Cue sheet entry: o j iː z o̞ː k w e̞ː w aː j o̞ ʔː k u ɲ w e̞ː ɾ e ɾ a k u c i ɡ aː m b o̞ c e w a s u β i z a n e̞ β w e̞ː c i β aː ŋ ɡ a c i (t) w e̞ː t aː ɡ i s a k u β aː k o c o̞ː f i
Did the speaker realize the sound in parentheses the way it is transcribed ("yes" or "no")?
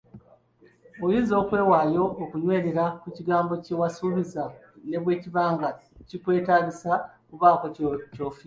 no